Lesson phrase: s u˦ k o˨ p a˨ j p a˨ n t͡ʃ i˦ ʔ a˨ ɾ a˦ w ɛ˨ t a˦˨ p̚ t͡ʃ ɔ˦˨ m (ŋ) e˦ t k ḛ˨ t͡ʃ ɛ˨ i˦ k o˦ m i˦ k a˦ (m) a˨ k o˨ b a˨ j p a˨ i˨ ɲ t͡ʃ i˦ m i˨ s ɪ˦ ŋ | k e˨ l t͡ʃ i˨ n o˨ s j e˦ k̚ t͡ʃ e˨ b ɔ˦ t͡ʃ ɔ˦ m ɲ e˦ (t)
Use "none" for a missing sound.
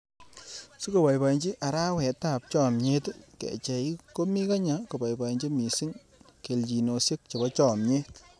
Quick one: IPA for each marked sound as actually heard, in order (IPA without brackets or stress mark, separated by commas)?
ɲ, ɲ, t